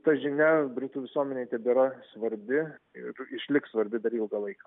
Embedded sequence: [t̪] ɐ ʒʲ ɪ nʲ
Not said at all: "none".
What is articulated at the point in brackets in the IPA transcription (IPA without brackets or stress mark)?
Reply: t̪